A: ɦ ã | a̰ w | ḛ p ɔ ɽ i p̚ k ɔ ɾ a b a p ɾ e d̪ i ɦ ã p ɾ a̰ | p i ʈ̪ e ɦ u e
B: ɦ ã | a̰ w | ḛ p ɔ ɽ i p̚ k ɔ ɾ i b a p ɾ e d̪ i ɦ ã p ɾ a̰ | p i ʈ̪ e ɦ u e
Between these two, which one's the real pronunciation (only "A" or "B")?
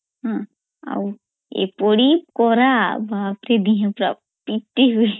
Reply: A